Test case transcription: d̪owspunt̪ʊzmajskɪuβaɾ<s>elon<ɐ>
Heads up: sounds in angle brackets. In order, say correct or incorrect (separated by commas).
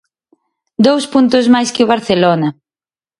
incorrect, correct